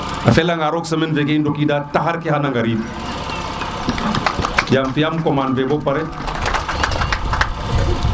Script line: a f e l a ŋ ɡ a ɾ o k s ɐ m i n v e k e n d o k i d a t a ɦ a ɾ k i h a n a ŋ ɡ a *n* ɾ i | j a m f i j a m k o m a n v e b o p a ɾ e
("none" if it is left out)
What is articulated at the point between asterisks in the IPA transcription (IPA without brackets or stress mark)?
none